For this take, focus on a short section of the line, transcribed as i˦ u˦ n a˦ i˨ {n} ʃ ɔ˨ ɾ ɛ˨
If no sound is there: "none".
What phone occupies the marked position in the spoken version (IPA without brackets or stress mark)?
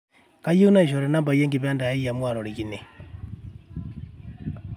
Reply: none